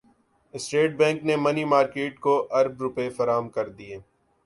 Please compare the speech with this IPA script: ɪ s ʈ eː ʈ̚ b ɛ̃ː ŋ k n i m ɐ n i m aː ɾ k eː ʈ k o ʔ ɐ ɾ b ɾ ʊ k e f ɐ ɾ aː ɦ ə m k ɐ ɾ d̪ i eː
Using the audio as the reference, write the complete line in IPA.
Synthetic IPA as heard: ɪ s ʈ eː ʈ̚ b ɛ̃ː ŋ k n e m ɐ n i m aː ɾ k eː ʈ k o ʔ ɐ ɾ b ɾ ʊ p e f ɐ ɾ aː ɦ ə m k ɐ ɾ d̪ i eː